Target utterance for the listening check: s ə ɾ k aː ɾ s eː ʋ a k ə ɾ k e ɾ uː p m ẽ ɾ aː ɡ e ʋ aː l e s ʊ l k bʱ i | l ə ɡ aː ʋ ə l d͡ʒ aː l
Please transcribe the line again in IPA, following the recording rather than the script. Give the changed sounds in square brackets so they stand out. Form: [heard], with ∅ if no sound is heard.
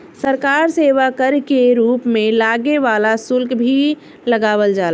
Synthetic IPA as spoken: s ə ɾ k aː ɾ s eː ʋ a k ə ɾ k e ɾ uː p m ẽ [l] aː ɡ e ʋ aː l [a] s ʊ l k bʱ i | l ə ɡ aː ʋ ə l d͡ʒ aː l

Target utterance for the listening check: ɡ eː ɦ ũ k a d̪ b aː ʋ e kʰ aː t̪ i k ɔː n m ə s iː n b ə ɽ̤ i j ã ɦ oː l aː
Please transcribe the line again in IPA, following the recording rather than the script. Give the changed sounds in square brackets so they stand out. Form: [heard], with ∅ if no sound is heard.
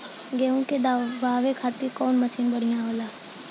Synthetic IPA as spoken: ɡ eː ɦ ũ k [e] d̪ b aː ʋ e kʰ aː t̪ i k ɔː n m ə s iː n b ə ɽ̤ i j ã ɦ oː l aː

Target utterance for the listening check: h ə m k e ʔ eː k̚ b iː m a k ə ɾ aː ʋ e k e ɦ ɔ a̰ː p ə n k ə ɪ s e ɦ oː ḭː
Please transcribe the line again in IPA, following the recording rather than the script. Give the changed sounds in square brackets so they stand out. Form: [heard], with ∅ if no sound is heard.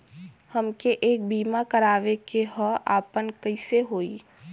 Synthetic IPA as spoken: h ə m k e ʔ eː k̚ b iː m a k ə ɾ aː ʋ e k e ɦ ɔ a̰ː p ə n k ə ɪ s e ɦ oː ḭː

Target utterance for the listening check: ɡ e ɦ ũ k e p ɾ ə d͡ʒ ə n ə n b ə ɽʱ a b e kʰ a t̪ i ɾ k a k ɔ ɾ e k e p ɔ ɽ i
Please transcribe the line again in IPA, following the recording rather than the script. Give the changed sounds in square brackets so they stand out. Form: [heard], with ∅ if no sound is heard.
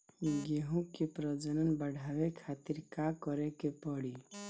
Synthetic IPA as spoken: ɡ e ɦ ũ k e p ɾ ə d͡ʒ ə n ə n b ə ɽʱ a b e kʰ a t̪ i ɾ k a k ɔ ɾ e k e p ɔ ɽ i

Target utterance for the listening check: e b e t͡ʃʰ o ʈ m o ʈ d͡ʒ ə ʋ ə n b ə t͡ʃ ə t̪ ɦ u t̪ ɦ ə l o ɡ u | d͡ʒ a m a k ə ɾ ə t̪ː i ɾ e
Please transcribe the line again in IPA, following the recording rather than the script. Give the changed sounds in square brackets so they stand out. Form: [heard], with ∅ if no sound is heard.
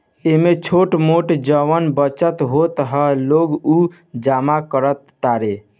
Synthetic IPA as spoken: e [m] e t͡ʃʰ o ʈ m o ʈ d͡ʒ ə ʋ ə n b ə t͡ʃ ə t̪ ɦ [o] t̪ ɦ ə l o ɡ u | d͡ʒ a m a k ə ɾ ə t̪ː [a] ɾ e

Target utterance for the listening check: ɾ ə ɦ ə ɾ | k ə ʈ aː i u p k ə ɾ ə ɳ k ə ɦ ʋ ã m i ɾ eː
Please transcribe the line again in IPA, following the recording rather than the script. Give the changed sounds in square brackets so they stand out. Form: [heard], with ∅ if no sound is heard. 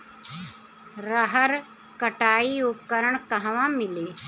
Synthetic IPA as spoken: ɾ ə ɦ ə ɾ | k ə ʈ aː i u p k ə ɾ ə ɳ k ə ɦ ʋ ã m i [l] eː

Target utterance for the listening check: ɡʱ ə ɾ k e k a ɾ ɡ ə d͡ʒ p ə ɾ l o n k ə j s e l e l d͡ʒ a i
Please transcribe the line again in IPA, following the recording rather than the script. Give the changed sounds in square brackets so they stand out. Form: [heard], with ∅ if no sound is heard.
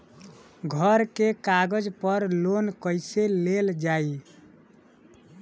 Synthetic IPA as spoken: ɡʱ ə ɾ k e k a [∅] ɡ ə d͡ʒ p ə ɾ l o n k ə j s e l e l d͡ʒ a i

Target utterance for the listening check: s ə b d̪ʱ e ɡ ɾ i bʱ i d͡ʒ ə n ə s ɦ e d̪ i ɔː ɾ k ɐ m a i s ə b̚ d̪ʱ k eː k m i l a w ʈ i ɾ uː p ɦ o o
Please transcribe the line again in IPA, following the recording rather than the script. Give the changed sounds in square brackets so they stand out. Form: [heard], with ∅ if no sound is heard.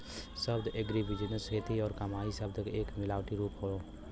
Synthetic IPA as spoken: s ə b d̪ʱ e ɡ ɾ i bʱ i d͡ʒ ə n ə s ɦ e [t̪] i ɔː ɾ k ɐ m a i s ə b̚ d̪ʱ k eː k m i l a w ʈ i ɾ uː p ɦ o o

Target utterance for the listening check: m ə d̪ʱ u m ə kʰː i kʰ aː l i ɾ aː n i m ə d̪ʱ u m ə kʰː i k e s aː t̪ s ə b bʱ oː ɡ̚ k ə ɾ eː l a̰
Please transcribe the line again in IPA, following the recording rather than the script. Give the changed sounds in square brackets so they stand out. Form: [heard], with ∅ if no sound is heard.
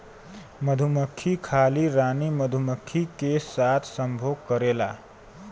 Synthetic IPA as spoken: m ə d̪ʱ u m ə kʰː i kʰ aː l i ɾ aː n i m ə d̪ʱ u m ə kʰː i k e s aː [t̪ʰ] s ə [m] bʱ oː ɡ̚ k ə ɾ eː l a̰

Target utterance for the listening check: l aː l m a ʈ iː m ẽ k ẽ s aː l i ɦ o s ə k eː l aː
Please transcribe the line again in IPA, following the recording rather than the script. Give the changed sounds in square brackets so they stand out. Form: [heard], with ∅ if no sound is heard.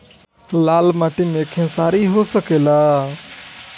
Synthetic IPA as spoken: l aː l m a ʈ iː m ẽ [kʰ] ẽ s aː [ɾ] i ɦ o s ə k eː l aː

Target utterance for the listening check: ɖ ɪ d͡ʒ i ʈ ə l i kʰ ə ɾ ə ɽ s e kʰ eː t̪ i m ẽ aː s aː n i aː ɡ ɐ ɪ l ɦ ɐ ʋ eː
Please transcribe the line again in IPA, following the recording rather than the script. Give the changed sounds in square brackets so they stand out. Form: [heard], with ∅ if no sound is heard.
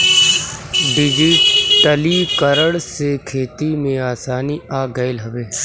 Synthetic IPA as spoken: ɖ ɪ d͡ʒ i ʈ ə l i [k] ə ɾ ə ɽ s e kʰ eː t̪ i m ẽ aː s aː n i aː ɡ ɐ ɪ l ɦ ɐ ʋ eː

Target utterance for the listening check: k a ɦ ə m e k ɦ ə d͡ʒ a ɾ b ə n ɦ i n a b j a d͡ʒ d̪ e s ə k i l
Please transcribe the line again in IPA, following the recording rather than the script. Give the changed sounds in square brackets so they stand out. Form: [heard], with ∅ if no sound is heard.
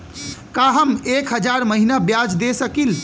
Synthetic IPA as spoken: k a ɦ ə m e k ɦ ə d͡ʒ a ɾ [m] ə [∅] ɦ i n a b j a d͡ʒ d̪ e s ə k i l

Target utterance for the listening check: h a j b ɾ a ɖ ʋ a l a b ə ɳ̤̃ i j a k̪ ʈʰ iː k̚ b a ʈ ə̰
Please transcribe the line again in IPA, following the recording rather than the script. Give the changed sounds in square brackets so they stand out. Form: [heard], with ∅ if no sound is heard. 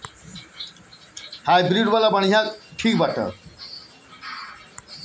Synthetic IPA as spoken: h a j b ɾ [i] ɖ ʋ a l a b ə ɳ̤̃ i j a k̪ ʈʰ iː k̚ b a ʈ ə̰

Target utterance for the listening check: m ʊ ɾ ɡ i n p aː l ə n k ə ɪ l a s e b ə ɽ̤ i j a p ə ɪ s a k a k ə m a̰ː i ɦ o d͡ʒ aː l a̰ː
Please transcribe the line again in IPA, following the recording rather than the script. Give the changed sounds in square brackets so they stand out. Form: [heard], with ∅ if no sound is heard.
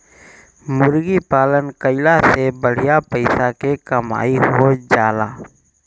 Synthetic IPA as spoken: m ʊ ɾ ɡ i [∅] p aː l ə n k ə ɪ l a s e b ə ɽ̤ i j a p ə ɪ s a k [e] k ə m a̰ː i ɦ o d͡ʒ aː l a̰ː

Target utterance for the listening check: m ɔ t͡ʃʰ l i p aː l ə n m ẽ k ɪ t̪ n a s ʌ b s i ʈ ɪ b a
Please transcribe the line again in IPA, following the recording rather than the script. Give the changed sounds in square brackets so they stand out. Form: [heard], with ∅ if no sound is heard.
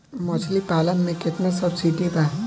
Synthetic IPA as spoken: m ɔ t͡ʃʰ l i p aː l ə n m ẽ k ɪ t̪ n a s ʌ b s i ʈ [i] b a

